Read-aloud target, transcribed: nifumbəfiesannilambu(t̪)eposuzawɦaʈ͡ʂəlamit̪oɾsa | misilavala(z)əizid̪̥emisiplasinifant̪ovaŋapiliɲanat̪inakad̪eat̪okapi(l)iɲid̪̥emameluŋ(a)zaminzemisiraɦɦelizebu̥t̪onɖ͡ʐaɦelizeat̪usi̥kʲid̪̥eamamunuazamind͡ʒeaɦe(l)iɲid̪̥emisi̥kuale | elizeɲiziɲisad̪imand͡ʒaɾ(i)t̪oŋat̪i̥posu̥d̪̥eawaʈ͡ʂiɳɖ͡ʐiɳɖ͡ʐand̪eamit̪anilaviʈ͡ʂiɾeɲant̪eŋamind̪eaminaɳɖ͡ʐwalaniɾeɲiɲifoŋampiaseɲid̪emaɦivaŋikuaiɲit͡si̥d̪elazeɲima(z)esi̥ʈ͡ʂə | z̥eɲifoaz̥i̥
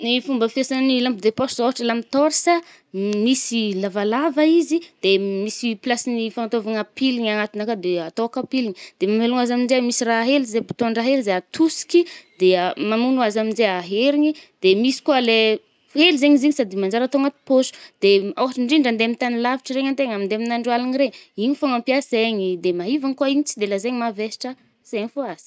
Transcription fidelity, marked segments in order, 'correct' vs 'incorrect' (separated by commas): incorrect, incorrect, correct, correct, incorrect, incorrect, incorrect